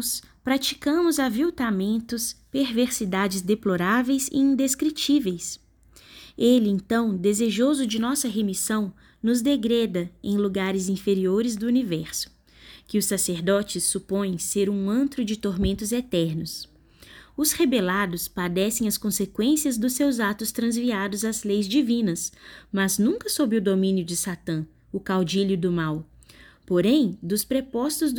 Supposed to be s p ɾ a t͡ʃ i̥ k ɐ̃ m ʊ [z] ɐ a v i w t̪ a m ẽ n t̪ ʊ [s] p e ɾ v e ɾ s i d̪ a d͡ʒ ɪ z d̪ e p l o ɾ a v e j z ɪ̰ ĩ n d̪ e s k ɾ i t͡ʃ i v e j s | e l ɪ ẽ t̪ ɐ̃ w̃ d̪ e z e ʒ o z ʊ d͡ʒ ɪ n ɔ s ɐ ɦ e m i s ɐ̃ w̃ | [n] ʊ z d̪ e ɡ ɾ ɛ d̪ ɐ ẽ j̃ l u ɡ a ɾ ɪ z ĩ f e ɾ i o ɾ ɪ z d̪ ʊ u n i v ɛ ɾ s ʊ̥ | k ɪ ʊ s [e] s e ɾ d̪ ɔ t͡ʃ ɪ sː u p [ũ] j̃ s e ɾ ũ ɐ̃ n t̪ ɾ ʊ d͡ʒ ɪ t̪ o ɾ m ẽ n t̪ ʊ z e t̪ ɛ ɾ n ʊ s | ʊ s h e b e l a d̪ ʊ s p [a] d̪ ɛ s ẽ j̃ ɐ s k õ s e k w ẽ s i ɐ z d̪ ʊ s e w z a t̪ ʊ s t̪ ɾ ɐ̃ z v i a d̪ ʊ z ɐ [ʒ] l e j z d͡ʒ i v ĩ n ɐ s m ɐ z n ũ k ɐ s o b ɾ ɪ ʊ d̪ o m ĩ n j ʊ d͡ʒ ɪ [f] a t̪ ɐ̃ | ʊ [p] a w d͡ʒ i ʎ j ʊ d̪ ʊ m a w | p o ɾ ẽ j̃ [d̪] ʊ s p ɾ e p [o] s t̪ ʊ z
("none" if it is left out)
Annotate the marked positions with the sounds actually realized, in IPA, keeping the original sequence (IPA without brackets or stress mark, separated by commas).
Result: z, s, n, a, õ, a, z, s, k, d̪, ɔ